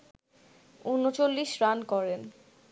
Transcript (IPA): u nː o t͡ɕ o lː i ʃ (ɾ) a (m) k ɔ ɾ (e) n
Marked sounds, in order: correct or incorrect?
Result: correct, incorrect: n, correct

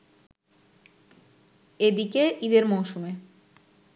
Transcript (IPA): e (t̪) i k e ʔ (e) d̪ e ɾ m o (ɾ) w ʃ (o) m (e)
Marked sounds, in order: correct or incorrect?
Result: incorrect: d̪, incorrect: i, incorrect: none, incorrect: u, correct

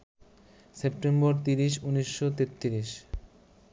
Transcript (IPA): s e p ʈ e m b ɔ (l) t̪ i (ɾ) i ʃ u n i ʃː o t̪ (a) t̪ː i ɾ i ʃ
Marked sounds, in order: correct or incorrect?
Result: incorrect: ɾ, correct, incorrect: e

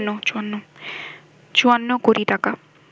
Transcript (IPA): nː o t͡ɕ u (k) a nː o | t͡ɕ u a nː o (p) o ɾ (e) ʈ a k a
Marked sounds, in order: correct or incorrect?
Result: incorrect: none, incorrect: k, incorrect: i

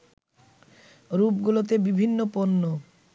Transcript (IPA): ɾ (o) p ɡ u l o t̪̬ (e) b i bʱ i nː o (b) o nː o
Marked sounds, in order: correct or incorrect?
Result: incorrect: u, correct, incorrect: p

